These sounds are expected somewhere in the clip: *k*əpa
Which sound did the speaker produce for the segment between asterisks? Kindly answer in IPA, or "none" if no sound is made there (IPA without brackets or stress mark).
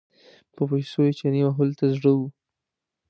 p